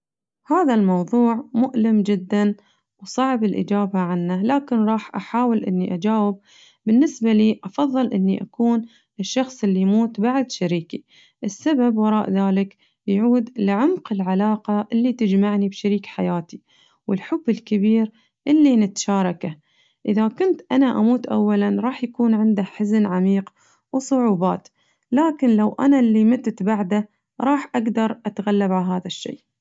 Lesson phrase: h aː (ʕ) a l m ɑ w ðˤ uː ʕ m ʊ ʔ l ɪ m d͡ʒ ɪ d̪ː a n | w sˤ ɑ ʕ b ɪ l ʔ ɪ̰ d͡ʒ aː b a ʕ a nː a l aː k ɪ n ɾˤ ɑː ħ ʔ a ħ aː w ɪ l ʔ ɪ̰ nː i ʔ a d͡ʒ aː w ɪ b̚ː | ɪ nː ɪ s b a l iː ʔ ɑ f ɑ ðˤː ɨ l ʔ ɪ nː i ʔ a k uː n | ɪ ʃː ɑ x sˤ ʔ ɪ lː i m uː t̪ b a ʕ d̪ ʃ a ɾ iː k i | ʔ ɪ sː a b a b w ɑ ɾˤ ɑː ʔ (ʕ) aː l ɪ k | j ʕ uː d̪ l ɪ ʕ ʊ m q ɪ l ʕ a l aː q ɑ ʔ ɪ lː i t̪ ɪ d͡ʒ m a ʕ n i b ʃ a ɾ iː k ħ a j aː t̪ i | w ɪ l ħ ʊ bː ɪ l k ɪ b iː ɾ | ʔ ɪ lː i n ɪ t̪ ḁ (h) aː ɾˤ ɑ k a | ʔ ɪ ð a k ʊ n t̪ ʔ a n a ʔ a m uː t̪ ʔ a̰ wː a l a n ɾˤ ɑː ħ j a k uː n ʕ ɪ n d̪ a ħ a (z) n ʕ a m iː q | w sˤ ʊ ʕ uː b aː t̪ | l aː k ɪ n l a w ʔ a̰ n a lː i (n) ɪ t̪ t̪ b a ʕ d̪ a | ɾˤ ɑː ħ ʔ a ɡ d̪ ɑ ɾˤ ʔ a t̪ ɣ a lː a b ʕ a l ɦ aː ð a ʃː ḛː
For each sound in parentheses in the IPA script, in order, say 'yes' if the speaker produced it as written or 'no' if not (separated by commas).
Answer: no, no, no, yes, no